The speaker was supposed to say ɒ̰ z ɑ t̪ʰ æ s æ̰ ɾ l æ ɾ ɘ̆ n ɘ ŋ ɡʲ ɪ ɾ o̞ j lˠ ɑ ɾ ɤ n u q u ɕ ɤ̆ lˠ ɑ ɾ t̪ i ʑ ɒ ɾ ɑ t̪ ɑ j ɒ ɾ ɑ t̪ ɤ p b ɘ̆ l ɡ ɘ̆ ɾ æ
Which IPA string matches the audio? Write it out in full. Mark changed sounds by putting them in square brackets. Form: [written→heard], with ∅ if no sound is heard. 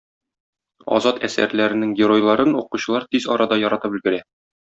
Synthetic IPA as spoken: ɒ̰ z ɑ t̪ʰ æ s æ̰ ɾ l æ ɾ ɘ̆ n ɘ ŋ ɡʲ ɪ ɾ o̞ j lˠ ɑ ɾ ɤ n u q u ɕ ɤ̆ lˠ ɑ ɾ t̪ i [ʑ→z] ɒ ɾ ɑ [t̪→d̪] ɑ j ɒ ɾ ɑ t̪ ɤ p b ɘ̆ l ɡ ɘ̆ ɾ æ